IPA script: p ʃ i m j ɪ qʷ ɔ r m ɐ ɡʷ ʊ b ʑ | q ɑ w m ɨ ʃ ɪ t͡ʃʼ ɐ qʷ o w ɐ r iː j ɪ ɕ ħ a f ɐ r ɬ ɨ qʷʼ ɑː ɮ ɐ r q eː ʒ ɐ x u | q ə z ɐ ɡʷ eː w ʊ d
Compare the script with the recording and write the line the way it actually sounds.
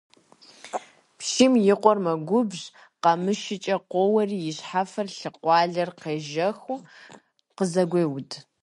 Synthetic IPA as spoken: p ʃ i m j ɪ qʷ ɔ r m ɐ ɡʷ ʊ b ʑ | q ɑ m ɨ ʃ ɪ t͡ʃʼ ɐ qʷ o w ɐ r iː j ɪ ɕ ħ a f ɐ r ɬ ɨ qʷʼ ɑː ɮ ɐ r q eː ʒ ɐ x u | q ə z ɐ ɡʷ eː w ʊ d